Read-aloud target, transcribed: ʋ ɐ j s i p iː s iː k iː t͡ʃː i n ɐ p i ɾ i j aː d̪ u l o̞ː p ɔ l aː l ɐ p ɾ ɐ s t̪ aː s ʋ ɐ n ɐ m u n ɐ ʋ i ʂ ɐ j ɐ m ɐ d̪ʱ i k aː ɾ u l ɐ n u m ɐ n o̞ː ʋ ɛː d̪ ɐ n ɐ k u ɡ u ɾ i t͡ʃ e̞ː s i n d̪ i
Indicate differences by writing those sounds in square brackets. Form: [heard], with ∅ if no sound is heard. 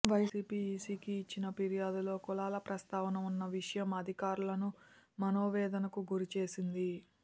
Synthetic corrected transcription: ʋ ɐ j s [iː] p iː s iː k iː t͡ʃː i n ɐ p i ɾ i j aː d̪ u l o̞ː [k] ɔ l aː l ɐ p ɾ ɐ s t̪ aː [∅] ʋ ɐ n ɐ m u [nː] ɐ ʋ i ʂ ɐ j ɐ m ɐ d̪ʱ i k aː ɾ u l ɐ n u m ɐ n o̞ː ʋ ɛː d̪ ɐ n ɐ k u ɡ u ɾ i t͡ʃ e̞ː s i n d̪ i